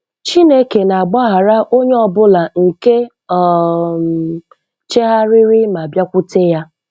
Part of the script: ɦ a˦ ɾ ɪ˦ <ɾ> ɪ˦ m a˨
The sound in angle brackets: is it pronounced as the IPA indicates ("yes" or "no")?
yes